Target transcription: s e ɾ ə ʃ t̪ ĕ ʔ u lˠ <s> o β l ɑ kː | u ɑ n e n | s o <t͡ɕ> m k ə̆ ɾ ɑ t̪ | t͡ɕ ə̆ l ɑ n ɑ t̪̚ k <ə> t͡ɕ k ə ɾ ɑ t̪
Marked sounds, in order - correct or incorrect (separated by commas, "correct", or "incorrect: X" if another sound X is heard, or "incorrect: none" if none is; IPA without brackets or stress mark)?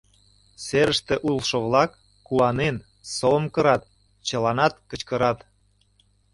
incorrect: ʃ, incorrect: none, correct